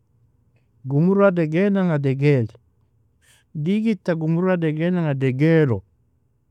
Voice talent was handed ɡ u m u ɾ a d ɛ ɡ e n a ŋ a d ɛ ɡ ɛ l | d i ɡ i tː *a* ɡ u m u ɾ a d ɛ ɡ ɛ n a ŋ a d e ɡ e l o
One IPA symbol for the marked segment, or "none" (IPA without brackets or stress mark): a